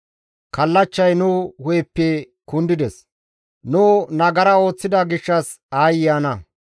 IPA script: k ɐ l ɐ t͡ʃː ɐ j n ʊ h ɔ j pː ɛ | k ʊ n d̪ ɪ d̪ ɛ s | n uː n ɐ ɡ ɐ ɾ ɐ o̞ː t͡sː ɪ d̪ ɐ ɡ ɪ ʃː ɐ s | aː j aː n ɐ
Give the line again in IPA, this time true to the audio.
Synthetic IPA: k ɐ lː ɐ t͡ʃː ɐ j n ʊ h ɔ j pː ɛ | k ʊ n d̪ ɪ d̪ ɛ s | n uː n ɐ ɡ ɐ ɾ ɐ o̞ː t͡sː ɪ d̪ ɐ ɡ ɪ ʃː ɐ s | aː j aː n ɐ

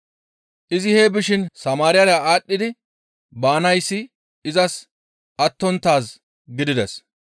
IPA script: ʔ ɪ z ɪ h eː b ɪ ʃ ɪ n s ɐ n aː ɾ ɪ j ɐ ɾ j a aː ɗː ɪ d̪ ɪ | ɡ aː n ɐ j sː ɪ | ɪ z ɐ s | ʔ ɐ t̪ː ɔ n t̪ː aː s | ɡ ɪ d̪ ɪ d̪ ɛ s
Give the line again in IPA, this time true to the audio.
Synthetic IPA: ʔ ɪ z ɪ h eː b ɪ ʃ ɪ n s ɐ m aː ɾ ɪ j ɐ ɾ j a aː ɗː ɪ d̪ ɪ | b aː n ɐ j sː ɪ | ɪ z ɐ s | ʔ ɐ t̪ː ɔ n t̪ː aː s | ɡ ɪ d̪ ɪ d̪ ɛ s

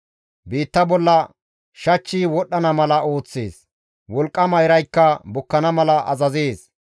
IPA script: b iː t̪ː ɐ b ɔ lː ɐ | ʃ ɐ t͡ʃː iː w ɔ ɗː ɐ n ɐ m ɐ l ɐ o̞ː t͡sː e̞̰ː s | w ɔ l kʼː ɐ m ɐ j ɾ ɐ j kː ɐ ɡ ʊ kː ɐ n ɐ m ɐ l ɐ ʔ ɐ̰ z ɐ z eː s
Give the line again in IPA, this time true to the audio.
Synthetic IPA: b iː t̪ː ɐ b ɔ lː ɐ | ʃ ɐ t͡ʃː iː w ɔ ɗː ɐ n ɐ m ɐ l ɐ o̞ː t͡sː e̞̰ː s | w ɔ l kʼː ɐ m ɐ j ɾ ɐ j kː ɐ b ʊ kː ɐ n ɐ m ɐ l ɐ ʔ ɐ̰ z ɐ z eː s

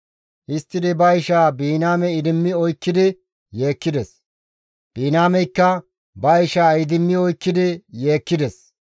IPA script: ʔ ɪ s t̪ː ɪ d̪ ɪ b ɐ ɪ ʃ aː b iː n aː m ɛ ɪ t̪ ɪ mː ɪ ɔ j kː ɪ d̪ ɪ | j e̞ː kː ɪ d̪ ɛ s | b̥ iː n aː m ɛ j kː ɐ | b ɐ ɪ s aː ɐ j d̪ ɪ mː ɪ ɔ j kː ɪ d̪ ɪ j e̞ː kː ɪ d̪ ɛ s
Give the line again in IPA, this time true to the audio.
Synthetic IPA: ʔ ɪ s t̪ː ɪ d̪ ɪ b ɐ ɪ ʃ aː b iː n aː m ɛ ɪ d̪ ɪ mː ɪ ɔ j kː ɪ d̪ ɪ | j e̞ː kː ɪ d̪ ɛ s | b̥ iː n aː m ɛ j kː ɐ | b ɐ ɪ ʃ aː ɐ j d̪ ɪ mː ɪ ɔ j kː ɪ d̪ ɪ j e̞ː kː ɪ d̪ ɛ s

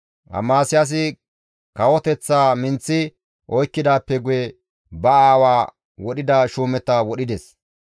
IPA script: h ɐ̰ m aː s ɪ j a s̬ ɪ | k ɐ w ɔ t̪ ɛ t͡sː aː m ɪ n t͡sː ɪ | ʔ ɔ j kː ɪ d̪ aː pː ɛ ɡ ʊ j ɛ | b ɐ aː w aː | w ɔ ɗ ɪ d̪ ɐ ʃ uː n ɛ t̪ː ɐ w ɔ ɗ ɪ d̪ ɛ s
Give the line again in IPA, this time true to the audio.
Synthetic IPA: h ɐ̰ m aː s ɪ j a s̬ ɪ | k ɐ w ɔ t̪ ɛ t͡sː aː m ɪ n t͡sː ɪ | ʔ ɔ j kː ɪ d̪ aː pː ɛ ɡ ʊ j ɛ | b ɐ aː w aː | w ɔ ɗ ɪ d̪ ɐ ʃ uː m ɛ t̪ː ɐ w ɔ ɗ ɪ d̪ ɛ s

